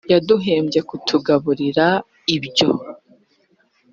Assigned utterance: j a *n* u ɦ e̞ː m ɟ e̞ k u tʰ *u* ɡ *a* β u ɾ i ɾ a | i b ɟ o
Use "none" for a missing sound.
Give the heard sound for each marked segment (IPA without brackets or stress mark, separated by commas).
d, u, a